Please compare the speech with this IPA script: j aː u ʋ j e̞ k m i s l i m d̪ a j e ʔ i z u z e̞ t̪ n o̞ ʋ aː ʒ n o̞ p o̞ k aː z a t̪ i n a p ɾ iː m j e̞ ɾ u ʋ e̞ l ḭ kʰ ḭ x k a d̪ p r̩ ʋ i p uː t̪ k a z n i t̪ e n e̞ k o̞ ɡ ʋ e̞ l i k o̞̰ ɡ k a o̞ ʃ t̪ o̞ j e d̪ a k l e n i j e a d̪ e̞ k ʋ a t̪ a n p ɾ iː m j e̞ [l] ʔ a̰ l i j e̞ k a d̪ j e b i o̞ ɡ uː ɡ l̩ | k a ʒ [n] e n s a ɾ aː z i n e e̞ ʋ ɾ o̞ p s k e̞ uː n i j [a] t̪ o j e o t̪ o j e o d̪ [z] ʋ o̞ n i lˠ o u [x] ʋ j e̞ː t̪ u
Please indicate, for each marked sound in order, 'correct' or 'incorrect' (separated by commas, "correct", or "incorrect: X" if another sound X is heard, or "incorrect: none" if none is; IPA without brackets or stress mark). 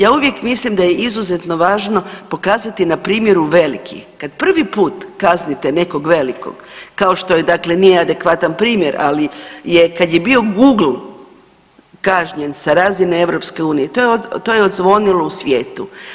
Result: incorrect: ɾ, incorrect: ɲ, incorrect: e, correct, incorrect: s